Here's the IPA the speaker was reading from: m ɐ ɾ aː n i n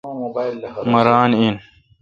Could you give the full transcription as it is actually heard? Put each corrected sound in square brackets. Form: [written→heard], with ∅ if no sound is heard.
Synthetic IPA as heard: m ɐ ɾ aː n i n

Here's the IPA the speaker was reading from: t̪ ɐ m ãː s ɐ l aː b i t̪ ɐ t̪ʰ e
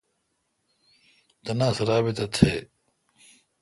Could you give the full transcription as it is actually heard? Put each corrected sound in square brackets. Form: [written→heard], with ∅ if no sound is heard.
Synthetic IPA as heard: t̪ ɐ [m→n] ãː s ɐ [l→ɾ] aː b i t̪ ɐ t̪ʰ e

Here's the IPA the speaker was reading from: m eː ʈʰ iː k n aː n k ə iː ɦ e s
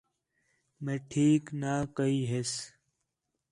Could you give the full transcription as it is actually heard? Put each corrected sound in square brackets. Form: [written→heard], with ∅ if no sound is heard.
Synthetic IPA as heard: m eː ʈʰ iː k n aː [n→∅] k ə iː ɦ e s

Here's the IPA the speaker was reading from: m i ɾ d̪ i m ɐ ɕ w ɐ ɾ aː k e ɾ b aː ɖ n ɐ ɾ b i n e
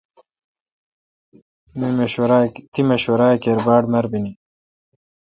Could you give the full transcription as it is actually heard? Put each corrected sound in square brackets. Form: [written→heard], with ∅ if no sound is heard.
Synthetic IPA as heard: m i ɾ [d̪→t̪] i m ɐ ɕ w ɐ ɾ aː k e ɾ b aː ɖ [n→m] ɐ ɾ b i n [e→i]

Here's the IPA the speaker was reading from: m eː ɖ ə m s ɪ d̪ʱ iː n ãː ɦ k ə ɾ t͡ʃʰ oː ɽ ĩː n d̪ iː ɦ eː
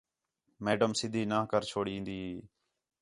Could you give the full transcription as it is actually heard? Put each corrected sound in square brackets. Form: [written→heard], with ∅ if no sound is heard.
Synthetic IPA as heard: m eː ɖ ə m s ɪ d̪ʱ iː n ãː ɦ k ə ɾ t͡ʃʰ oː ɽ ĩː n d̪ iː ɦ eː

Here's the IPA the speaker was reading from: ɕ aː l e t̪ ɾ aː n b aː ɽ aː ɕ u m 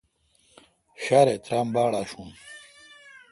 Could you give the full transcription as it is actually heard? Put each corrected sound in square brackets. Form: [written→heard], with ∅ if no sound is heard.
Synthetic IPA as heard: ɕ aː [l→ɾ] e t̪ ɾ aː [n→m] b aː ɽ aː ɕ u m

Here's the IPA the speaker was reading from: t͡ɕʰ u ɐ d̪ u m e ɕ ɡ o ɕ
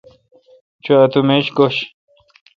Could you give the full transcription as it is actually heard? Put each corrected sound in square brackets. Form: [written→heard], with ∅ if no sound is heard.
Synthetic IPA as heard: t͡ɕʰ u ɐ [d̪→t̪] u m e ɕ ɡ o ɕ

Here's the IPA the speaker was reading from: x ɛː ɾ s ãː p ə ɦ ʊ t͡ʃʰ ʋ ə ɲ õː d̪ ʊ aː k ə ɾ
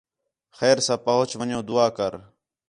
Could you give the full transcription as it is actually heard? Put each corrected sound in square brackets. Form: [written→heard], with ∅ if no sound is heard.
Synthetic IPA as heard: x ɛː ɾ s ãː p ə ɦ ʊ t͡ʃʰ ʋ ə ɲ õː d̪ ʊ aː k ə ɾ

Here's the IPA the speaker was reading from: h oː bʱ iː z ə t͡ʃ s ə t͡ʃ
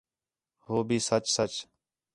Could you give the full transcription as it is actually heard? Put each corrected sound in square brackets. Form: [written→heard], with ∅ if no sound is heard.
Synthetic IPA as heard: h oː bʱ iː [z→s] ə t͡ʃ s ə t͡ʃ

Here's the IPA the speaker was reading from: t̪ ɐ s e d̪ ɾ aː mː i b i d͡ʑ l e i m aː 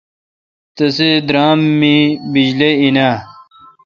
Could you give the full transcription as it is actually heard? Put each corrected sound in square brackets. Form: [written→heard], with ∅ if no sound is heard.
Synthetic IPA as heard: t̪ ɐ s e d̪ ɾ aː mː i b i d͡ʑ l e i [m→n] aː

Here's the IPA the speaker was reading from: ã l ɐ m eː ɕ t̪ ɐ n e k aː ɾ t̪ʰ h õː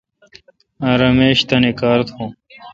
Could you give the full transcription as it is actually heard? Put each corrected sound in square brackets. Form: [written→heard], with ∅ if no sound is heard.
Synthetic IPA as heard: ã [l→ɾ] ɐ m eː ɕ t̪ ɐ n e k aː ɾ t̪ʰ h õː

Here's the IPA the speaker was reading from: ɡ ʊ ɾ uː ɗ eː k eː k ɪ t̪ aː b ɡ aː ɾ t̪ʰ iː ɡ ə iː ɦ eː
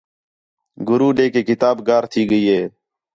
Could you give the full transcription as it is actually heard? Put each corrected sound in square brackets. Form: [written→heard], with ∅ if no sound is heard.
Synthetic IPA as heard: ɡ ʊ ɾ uː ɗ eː k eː k ɪ t̪ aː b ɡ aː ɾ t̪ʰ iː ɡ ə iː ɦ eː

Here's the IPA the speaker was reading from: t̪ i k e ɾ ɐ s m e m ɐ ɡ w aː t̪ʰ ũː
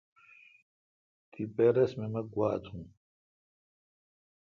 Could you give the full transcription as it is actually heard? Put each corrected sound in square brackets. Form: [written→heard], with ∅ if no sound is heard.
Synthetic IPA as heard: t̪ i [k→p] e ɾ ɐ s m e m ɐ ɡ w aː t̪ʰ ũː

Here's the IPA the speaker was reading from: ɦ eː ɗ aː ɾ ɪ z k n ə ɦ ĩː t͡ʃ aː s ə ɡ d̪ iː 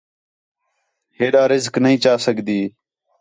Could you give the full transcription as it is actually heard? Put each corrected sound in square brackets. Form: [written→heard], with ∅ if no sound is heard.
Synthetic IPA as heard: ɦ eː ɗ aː ɾ ɪ z k n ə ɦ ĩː t͡ʃ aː s ə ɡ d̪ iː

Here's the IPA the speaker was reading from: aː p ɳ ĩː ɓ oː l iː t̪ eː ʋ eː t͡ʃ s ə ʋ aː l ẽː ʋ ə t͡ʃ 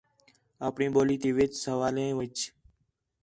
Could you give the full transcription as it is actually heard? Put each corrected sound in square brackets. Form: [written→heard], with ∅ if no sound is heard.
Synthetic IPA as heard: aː p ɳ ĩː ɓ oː l iː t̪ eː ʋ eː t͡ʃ s ə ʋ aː l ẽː ʋ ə t͡ʃ

